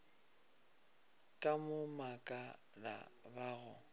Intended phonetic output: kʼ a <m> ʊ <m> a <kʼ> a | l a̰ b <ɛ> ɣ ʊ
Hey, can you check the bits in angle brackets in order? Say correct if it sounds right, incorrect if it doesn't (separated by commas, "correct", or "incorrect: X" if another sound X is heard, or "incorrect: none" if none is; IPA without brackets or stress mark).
correct, correct, correct, incorrect: a